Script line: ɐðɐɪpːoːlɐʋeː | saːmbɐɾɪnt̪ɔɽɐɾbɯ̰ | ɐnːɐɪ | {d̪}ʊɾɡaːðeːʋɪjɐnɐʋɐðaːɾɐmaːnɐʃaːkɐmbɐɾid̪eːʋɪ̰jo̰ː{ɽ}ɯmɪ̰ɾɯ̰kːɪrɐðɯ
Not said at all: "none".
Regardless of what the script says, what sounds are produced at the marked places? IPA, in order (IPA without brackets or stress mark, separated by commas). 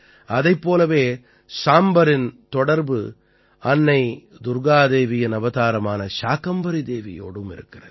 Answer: d̪, ɽ